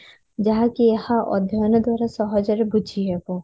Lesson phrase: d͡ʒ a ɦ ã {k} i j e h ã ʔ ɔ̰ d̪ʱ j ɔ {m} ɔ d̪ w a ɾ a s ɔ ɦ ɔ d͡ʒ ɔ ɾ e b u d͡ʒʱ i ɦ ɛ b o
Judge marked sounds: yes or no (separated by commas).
yes, no